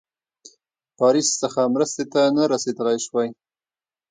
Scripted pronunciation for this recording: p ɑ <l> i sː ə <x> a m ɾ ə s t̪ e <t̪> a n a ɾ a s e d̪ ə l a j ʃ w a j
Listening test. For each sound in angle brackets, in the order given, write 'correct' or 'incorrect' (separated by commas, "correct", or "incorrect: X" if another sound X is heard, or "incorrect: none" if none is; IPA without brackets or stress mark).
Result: incorrect: ɾ, correct, correct